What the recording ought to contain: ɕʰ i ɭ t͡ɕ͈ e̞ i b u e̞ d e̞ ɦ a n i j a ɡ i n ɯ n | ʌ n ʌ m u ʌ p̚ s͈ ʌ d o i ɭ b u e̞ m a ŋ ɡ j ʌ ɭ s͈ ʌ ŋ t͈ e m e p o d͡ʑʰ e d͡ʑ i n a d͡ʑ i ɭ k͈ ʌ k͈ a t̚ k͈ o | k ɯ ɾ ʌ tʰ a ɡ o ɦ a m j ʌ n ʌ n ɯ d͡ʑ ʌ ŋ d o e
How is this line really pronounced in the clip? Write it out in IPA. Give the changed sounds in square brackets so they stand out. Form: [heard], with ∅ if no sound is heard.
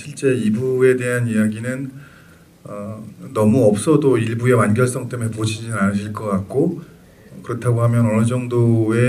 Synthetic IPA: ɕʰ i ɭ t͡ɕ͈ e̞ i b u e̞ d e̞ ɦ a n i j a ɡ i n ɯ n | ʌ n ʌ m u ʌ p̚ s͈ ʌ d o i ɭ b u e̞ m a [n] ɡ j ʌ ɭ s͈ ʌ ŋ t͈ e m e p o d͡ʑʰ [i] d͡ʑ i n a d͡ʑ i ɭ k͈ ʌ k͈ a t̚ k͈ o | k ɯ ɾ ʌ tʰ a ɡ o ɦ a m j ʌ n ʌ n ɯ d͡ʑ ʌ ŋ d o e